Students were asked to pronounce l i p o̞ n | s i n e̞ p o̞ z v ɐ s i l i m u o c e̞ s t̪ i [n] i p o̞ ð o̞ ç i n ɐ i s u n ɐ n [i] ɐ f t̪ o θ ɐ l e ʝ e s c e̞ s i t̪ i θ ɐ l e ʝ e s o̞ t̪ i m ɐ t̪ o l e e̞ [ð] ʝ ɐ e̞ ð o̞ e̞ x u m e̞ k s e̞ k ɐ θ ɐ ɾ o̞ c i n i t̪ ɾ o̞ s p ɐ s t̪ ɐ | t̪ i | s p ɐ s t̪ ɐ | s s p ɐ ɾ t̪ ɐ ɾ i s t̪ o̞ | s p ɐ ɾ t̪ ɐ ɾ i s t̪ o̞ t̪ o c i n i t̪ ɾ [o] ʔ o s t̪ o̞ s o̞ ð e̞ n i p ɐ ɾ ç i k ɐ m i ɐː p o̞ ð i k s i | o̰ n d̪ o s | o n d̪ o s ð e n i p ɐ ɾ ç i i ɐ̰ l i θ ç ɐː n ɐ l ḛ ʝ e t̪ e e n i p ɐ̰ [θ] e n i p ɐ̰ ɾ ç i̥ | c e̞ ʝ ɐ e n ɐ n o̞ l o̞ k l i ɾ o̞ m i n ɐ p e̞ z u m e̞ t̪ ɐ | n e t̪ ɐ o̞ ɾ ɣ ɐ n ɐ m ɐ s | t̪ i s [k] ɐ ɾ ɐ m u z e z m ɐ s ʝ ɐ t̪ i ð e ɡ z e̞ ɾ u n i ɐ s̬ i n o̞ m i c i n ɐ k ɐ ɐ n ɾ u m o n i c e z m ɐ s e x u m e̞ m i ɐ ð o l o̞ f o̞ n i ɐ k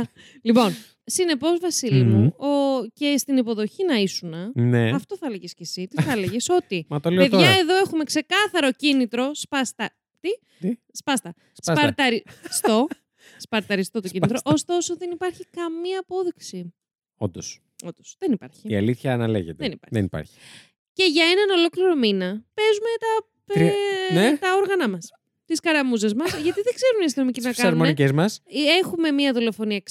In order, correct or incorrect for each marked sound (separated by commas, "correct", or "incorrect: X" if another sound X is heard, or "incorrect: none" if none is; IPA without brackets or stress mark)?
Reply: correct, incorrect: e, correct, correct, incorrect: ð, correct